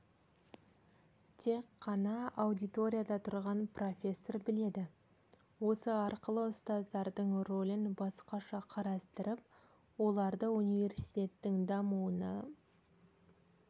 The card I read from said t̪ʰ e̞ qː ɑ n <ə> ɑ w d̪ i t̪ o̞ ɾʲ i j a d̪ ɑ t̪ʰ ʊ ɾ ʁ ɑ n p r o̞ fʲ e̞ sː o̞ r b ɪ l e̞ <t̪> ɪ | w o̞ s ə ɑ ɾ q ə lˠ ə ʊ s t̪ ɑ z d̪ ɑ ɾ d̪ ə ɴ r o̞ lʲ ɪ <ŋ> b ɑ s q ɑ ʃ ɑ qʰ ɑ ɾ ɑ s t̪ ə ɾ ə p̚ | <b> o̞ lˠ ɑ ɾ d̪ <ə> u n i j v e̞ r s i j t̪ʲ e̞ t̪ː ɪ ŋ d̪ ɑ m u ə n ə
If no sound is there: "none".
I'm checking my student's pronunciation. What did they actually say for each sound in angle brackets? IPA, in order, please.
ɑ, d̪, n, w, ə

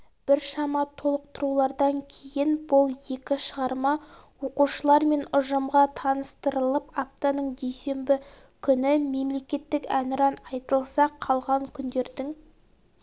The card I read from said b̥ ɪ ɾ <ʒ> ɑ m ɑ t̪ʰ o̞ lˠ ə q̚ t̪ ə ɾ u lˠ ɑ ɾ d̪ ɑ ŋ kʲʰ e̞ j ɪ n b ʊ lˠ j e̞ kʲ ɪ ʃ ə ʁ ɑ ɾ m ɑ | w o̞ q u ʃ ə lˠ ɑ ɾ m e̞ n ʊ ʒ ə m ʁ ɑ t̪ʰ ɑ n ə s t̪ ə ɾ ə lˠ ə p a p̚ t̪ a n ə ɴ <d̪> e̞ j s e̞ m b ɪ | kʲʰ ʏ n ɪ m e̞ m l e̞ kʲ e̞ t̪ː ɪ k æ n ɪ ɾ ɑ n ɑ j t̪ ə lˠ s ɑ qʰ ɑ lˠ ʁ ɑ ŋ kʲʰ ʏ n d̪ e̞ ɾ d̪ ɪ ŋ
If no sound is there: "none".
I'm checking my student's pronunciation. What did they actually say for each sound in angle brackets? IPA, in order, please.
ʃ, d̪

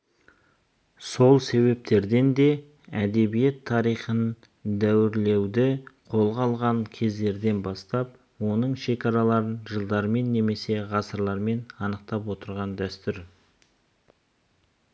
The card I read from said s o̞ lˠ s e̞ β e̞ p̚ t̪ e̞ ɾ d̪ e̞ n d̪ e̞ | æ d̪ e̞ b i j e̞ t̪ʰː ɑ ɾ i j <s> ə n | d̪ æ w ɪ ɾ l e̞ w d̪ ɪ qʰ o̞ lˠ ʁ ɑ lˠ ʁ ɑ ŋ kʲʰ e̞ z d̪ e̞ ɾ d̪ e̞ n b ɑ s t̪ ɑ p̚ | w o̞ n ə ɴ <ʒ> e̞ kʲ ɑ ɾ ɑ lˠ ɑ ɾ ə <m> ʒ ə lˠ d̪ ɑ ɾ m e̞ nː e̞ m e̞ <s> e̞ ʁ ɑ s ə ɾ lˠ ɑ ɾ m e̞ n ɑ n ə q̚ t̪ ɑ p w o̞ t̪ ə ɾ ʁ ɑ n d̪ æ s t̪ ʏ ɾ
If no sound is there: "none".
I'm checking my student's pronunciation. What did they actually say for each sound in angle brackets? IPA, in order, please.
χ, ʃ, n, s

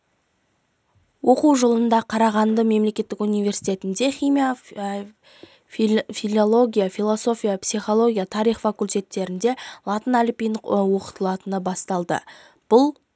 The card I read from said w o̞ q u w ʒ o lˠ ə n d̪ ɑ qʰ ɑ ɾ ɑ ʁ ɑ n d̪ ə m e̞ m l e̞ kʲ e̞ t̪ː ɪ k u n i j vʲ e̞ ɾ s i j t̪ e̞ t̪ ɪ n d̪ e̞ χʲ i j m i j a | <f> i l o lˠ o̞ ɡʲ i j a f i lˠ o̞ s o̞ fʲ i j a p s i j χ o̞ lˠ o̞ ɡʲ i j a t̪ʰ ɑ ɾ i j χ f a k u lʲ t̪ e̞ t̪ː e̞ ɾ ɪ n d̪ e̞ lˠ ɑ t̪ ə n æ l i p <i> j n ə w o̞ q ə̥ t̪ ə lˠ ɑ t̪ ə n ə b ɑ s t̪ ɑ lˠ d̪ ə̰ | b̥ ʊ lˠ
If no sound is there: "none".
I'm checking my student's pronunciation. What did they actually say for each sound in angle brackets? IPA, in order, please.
f, i

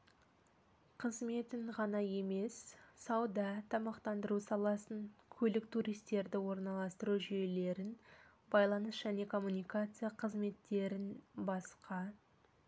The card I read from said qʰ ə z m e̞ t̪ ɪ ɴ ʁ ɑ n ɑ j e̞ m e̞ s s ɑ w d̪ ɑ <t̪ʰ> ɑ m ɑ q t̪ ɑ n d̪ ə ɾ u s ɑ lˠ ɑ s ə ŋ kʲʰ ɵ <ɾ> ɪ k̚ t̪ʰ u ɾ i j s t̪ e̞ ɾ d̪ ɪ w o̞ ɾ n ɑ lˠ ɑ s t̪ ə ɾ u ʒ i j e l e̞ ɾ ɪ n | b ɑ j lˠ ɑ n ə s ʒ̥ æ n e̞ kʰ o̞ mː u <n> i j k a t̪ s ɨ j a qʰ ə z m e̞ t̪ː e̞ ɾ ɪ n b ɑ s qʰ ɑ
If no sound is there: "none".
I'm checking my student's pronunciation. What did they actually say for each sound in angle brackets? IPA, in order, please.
t̪ʰ, l, n

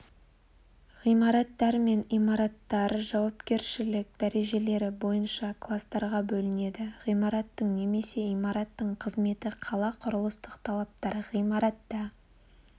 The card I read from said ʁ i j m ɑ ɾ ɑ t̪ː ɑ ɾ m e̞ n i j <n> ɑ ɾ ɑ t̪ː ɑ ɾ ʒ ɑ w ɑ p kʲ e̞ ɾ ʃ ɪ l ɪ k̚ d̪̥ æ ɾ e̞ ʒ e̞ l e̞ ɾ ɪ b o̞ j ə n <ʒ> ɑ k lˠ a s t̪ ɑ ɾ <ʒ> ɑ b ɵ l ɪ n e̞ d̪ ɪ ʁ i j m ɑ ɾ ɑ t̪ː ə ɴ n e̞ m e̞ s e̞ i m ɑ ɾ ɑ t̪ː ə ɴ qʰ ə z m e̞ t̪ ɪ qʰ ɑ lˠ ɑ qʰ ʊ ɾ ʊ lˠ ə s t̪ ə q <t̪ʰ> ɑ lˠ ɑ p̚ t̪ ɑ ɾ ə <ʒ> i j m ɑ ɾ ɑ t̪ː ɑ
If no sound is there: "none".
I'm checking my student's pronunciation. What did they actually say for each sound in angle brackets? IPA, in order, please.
m, ʃ, ʁ, t̪ʰ, ʁ

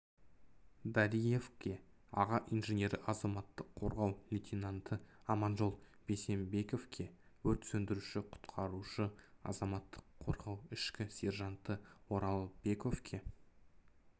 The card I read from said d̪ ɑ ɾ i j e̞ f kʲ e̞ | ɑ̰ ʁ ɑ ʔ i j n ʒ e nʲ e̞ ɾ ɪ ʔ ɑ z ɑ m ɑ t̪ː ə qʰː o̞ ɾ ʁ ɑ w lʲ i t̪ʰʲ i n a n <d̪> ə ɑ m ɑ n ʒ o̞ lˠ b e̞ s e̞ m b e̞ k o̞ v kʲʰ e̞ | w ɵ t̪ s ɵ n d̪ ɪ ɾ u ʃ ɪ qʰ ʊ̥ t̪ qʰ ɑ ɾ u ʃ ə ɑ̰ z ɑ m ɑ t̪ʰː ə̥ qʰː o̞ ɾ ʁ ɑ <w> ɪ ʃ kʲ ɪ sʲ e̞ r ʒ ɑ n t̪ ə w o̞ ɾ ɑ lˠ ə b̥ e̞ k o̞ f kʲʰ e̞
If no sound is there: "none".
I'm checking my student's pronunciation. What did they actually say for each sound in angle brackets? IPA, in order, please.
t̪, w

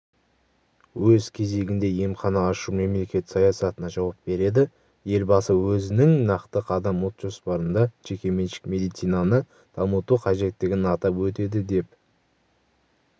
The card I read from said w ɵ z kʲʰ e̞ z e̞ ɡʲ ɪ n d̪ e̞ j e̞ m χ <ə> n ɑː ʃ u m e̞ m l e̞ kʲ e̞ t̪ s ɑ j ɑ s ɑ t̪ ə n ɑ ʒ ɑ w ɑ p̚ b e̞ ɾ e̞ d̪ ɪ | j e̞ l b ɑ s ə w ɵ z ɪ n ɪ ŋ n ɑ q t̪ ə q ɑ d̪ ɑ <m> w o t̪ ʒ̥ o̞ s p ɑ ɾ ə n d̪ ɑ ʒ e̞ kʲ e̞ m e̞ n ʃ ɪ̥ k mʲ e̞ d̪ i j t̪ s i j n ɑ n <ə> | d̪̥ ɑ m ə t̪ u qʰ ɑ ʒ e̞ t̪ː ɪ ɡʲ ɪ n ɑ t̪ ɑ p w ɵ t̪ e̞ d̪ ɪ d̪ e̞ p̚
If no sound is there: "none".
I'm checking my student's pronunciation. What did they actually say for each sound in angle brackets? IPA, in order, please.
ɑ, m, ə

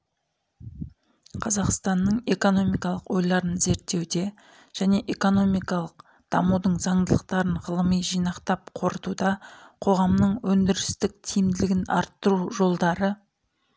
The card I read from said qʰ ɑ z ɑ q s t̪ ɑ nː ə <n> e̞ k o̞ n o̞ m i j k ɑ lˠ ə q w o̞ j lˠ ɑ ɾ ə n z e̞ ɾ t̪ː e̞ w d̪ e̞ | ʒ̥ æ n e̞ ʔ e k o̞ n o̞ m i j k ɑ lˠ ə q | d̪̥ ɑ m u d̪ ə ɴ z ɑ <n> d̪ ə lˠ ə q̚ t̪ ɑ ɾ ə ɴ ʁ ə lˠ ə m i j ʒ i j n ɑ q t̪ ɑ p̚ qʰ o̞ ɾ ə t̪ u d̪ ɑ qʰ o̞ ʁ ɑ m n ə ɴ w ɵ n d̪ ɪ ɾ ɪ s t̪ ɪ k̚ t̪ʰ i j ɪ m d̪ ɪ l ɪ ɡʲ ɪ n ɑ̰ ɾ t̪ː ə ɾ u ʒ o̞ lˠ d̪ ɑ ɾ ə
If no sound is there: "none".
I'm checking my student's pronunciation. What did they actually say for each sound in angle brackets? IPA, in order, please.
ɴ, ɴ

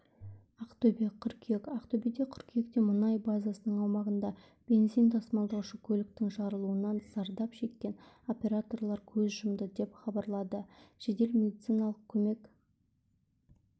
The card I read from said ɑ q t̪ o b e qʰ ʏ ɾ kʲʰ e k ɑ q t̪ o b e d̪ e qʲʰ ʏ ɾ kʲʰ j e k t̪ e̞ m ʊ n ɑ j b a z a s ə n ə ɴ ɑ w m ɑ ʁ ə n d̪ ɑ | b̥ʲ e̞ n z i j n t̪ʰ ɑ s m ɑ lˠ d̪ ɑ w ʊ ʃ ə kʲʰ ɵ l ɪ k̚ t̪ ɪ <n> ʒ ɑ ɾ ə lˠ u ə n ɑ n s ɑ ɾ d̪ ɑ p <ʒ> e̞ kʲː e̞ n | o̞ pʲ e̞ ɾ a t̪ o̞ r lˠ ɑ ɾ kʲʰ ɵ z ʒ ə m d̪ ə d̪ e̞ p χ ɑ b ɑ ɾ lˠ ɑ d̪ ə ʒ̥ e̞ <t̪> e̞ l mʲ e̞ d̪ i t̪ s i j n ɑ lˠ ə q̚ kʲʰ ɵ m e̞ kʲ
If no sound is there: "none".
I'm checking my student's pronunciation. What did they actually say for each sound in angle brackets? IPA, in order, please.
ŋ, ʃ, d̪

